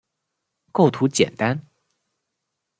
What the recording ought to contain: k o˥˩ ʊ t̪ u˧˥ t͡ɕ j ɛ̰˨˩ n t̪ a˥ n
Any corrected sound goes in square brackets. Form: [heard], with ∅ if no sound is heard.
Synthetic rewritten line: k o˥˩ ʊ [t̪ʰ] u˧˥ t͡ɕ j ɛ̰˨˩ n t̪ a˥ n